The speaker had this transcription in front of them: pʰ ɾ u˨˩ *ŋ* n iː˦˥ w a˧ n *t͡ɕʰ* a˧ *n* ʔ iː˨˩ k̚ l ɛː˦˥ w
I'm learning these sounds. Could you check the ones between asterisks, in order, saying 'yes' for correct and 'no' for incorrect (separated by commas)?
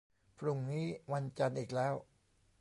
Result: yes, no, yes